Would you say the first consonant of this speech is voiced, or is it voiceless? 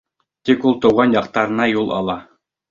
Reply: voiceless